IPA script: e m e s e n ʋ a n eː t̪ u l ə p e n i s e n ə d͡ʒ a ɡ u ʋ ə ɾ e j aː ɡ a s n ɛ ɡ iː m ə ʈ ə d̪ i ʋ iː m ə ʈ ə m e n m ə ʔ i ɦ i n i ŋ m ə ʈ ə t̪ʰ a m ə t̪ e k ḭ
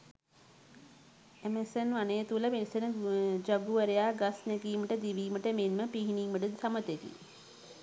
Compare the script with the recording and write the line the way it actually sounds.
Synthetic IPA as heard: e m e s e n ʋ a n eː t̪ u l ə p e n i s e n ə d͡ʒ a ɡ u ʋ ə ɾ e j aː ɡ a s n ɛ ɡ iː m ə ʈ ə d̪ i ʋ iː m ə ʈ ə m e n m ə p i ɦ i n i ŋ m ə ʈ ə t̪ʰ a m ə t̪ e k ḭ